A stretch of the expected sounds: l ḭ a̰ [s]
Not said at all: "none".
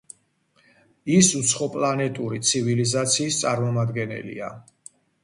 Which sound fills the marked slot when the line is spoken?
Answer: none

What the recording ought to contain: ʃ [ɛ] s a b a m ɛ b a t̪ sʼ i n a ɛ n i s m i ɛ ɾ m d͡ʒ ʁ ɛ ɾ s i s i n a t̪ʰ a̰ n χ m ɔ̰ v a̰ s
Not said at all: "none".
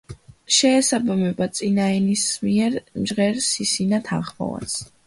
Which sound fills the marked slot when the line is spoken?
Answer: ɛː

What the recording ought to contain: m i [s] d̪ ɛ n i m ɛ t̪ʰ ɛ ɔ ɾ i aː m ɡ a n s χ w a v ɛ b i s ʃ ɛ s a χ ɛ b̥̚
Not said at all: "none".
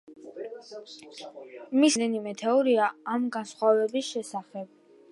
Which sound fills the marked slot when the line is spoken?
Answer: s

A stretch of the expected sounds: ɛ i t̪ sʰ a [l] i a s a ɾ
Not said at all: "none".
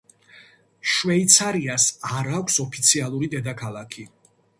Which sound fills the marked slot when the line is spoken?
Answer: ɾ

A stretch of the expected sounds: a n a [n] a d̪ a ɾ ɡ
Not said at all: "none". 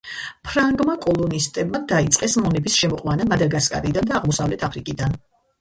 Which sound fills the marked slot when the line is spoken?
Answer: m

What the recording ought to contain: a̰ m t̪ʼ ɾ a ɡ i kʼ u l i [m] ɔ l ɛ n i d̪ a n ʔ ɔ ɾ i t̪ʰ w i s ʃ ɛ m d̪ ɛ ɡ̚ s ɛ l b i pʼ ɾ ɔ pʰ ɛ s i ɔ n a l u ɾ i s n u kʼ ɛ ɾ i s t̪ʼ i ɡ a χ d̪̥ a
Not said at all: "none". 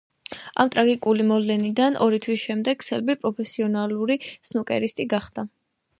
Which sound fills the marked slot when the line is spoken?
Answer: m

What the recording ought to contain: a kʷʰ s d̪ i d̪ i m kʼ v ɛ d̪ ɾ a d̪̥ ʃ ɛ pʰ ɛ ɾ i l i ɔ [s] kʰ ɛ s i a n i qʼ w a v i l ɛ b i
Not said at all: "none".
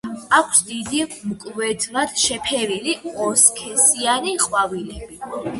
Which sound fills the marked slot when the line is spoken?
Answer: s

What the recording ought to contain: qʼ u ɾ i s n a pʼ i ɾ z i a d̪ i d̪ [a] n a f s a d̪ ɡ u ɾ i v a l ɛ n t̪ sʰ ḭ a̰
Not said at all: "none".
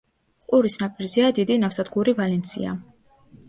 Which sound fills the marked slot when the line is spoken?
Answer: i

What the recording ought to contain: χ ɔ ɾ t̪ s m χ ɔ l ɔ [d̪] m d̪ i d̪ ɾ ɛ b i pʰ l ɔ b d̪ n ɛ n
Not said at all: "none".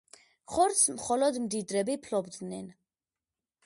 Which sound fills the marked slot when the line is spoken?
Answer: d̪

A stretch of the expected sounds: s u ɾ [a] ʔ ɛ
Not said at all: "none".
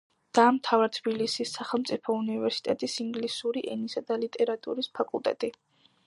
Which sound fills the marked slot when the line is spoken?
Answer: i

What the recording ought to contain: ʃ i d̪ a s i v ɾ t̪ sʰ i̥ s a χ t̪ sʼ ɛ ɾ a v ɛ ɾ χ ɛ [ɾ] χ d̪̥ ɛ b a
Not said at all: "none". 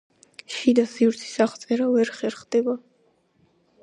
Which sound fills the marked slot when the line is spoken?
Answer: ɾ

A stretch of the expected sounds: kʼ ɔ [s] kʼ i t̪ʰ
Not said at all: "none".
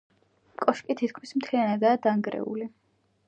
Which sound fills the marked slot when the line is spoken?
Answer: ʃ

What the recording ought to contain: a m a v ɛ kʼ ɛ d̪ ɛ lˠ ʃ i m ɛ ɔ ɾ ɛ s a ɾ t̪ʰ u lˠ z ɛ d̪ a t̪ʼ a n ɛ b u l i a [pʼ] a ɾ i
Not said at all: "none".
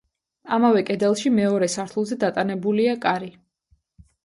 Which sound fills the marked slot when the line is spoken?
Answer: kʼ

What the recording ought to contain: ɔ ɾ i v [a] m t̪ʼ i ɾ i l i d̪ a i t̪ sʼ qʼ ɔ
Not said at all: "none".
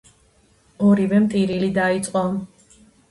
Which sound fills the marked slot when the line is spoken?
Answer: ɛ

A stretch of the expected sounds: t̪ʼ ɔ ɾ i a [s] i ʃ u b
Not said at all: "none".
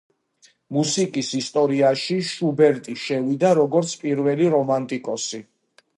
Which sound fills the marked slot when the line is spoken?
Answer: ʃ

